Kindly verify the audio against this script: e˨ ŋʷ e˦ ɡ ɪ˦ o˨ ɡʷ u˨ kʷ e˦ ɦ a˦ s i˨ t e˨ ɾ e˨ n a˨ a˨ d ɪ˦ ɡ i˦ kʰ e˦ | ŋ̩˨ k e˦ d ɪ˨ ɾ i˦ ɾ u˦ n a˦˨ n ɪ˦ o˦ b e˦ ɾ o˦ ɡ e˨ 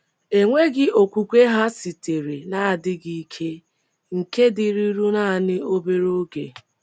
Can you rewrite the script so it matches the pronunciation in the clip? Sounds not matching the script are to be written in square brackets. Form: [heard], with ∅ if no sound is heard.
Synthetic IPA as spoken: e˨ ŋʷ e˦ ɡ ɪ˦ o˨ [kʷ] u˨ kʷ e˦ ɦ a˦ s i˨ t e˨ ɾ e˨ n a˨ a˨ d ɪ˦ ɡ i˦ kʰ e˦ | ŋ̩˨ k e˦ d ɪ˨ ɾ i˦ ɾ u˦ n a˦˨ n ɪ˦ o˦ b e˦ ɾ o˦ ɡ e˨